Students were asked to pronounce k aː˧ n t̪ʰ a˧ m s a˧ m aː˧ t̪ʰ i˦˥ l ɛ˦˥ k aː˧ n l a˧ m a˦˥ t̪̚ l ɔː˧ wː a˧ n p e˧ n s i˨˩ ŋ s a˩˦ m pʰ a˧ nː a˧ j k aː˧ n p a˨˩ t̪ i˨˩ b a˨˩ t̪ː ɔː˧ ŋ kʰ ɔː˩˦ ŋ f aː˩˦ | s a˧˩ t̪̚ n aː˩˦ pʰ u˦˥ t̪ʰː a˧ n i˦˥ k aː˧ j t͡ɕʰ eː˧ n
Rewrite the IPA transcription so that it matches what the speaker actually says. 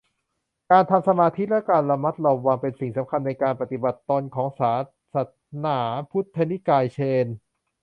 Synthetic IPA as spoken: k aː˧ n t̪ʰ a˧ m s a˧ m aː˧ t̪ʰ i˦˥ l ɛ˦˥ k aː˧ n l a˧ m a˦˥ t̪̚ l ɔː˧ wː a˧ ŋ p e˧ n s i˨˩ ŋ s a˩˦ m kʰ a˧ nː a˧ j k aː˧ n p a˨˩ t̪ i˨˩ b a˨˩ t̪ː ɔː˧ n kʰ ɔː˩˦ ŋ s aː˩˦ | s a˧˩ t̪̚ n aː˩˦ pʰ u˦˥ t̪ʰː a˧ n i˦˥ k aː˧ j t͡ɕʰ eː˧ n

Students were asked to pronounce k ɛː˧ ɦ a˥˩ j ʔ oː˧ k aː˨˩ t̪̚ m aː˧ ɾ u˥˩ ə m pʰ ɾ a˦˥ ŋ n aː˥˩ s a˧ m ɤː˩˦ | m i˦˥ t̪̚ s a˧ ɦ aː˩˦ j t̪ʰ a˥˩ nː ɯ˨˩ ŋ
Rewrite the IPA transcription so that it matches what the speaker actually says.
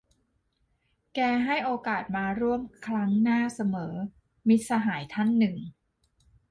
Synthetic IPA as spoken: k ɛː˧ ɦ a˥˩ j ʔ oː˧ k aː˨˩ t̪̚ m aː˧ ɾ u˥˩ ə m kʰ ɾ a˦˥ ŋ n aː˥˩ s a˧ m ɤː˩˦ | m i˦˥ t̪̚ s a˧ ɦ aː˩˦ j t̪ʰ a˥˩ nː ɯ˨˩ ŋ

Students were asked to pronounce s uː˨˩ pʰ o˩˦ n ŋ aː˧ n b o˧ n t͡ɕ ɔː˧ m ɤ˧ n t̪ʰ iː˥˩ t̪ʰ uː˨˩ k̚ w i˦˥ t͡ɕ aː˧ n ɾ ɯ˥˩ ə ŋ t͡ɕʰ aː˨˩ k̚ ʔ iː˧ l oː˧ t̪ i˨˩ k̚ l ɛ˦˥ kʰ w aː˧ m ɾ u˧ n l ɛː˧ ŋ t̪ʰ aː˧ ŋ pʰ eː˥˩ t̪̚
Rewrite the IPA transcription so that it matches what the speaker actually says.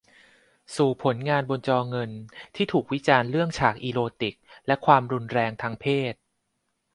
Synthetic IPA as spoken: s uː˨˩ pʰ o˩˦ n ŋ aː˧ n b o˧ n t͡ɕ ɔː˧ ŋ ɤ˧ n t̪ʰ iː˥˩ t̪ʰ uː˨˩ k̚ w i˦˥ t͡ɕ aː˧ n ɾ ɯ˥˩ ə ŋ t͡ɕʰ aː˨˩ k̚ ʔ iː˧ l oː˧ t̪ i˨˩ k̚ l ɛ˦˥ kʰ w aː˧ m ɾ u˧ n ɾ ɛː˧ ŋ t̪ʰ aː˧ ŋ pʰ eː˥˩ t̪̚

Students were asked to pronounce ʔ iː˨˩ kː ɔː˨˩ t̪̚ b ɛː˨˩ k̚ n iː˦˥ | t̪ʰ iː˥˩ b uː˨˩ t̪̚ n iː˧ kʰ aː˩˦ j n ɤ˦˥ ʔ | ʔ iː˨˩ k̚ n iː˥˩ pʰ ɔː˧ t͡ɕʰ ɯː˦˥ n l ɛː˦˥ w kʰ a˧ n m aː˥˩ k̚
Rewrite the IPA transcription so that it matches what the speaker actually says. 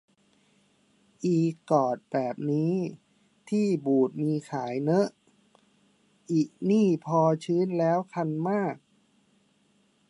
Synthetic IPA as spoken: ʔ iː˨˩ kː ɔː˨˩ t̪̚ b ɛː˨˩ p̚ n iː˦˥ | t̪ʰ iː˥˩ b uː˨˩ t̪̚ m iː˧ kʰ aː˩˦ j n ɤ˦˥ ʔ | ʔ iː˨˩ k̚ n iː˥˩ pʰ ɔː˧ t͡ɕʰ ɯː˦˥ n l ɛː˦˥ w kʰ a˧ n m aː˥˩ k̚

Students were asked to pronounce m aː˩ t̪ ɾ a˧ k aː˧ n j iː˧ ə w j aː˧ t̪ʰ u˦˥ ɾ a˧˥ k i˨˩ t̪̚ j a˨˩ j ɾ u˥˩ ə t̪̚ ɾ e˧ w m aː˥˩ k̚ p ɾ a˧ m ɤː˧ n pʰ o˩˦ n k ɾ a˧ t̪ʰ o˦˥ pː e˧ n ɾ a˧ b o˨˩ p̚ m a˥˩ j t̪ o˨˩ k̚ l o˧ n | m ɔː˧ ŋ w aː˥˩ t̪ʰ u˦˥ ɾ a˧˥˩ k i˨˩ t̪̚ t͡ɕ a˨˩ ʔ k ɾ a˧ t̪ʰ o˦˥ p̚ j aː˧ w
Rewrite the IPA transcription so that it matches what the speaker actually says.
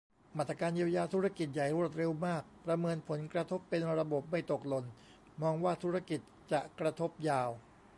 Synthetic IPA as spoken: m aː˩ t̪ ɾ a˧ k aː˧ n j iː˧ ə w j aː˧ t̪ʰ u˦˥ ɾ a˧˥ k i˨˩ t̪̚ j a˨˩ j ɾ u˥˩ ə t̪̚ ɾ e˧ w m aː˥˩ k̚ p ɾ a˧ m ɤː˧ n pʰ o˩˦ n k ɾ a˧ t̪ʰ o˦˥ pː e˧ n ɾ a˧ b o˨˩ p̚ m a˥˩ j t̪ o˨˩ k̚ l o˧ n | m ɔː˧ ŋ w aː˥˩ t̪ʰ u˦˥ ɾ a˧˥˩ k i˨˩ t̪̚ t͡ɕ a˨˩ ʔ k ɾ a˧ t̪ʰ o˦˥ p̚ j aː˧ w

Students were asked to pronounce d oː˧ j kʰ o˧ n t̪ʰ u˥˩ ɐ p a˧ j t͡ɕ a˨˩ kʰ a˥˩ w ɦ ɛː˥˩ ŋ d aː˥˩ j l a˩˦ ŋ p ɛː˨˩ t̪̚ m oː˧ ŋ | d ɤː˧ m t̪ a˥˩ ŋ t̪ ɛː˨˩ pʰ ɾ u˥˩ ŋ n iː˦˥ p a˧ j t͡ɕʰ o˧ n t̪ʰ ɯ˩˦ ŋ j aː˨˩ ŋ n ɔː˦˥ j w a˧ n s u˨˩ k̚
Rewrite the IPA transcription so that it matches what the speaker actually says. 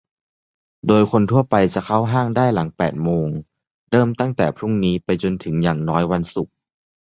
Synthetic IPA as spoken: d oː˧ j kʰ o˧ n t̪ʰ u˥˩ ɐ p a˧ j t͡ɕ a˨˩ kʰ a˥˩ w ɦ aː˥˩ ŋ d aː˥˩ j l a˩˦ ŋ p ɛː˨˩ t̪̚ m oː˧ ŋ | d ɤː˥˩ m t̪ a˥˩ ŋ t̪ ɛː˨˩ pʰ ɾ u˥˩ ŋ n iː˦˥ p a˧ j t͡ɕ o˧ n t̪ʰ ɯ˩˦ ŋ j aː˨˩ ŋ n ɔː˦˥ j w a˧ n s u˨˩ k̚

